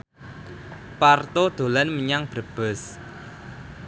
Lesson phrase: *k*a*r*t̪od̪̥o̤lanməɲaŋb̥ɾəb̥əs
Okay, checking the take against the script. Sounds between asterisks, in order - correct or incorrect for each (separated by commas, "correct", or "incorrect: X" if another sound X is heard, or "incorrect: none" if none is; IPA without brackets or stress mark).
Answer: incorrect: p, correct